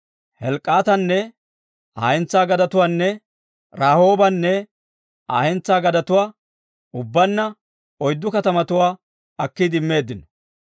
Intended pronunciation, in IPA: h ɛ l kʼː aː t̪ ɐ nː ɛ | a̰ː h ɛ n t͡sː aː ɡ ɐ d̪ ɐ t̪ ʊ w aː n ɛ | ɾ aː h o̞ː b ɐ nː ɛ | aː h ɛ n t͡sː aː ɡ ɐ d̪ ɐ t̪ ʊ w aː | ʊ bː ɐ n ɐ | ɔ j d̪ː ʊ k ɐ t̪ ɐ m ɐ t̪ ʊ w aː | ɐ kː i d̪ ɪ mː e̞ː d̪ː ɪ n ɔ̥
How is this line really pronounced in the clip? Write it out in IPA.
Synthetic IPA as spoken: h ɛ l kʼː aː t̪ ɐ nː ɛ | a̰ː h ɛ n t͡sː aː ɡ ɐ d̪ ɐ t̪ ʊ w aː nː ɛ | ɾ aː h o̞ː b ɐ nː ɛ | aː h ɛ n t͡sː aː ɡ ɐ d̪ ɐ t̪ ʊ w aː | ʊ bː ɐ nː ɐ | ɔ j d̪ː ʊ k ɐ t̪ ɐ m ɐ t̪ ʊ w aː | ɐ kː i d̪ ɪ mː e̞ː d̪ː ɪ n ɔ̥